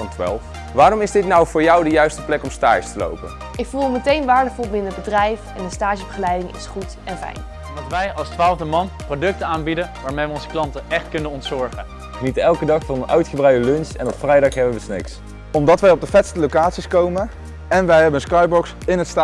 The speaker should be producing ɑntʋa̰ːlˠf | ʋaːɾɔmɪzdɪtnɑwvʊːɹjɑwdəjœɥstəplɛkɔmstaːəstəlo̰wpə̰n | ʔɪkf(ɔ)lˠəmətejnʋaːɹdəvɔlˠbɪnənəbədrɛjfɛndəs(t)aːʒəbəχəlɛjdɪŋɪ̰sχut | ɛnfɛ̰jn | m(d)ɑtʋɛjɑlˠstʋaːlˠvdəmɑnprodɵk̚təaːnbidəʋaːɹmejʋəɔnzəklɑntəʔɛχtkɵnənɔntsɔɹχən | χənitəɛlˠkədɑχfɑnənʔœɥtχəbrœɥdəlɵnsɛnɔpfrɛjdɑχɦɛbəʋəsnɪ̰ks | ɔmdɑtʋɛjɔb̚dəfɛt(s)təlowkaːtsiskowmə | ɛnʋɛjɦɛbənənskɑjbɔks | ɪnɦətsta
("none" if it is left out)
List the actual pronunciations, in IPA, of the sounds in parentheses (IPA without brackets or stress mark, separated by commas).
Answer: u, t, d, s